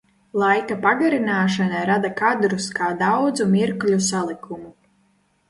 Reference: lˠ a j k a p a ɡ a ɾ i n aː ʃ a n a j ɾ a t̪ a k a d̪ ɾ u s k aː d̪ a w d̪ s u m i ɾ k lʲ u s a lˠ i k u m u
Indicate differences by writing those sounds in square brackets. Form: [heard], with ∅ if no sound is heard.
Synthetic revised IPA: lˠ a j k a p a ɡ a ɾ i n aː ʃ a n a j ɾ a [d̪] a k a d̪ ɾ u s k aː d̪ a w d̪ [z] u m i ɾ k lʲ u s a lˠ i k u m u

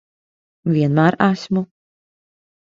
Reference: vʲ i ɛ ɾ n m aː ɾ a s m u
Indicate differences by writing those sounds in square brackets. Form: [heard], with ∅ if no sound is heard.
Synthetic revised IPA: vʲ i ɛ [∅] n m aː ɾ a s m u

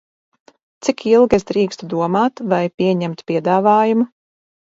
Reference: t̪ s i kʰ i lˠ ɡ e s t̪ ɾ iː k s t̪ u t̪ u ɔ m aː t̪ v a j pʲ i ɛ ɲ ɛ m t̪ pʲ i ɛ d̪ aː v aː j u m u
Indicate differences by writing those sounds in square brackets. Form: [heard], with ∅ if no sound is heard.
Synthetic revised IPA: t̪ s i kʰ i lˠ ɡ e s [d̪] ɾ iː k s t̪ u [d̪] u ɔ m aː t̪ v a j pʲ i ɛ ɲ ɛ m t̪ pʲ i ɛ d̪ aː v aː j u m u

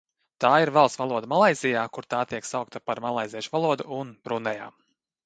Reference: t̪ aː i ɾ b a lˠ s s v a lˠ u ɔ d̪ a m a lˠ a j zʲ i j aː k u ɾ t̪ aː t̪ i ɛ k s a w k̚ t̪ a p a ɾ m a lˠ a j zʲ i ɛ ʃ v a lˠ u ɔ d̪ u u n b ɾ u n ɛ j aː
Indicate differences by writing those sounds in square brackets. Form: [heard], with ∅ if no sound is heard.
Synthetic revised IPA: t̪ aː i ɾ [v] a lˠ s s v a lˠ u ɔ d̪ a m a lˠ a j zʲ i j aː k u ɾ t̪ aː t̪ i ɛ k s a w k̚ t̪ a p a ɾ m a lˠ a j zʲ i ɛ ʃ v a lˠ u ɔ d̪ u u n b ɾ u n ɛ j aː

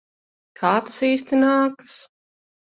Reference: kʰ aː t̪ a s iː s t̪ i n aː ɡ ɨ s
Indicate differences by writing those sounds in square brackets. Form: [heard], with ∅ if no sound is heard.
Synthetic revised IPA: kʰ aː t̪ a s iː s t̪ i n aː [k] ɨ s

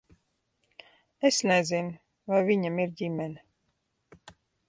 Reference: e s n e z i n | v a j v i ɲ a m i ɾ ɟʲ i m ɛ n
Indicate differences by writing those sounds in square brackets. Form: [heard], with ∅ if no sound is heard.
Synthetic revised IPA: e s n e z i n | v a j v i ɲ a m i ɾ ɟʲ i m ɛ n

